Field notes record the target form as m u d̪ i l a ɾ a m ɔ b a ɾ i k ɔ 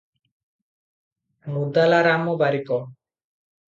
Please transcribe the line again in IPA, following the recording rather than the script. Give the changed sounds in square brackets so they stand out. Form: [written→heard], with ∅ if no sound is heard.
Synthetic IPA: m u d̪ [i→a] l a ɾ a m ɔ b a ɾ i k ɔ